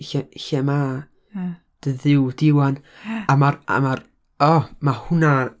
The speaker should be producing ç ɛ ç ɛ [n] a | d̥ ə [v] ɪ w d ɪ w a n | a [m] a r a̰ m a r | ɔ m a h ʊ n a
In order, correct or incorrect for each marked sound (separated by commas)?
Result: incorrect, incorrect, correct